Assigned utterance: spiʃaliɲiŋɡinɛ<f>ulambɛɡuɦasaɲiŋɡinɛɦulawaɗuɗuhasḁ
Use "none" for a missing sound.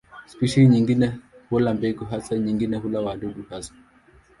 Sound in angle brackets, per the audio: h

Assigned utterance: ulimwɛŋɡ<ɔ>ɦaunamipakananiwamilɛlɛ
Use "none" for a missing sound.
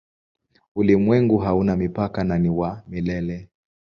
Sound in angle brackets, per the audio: u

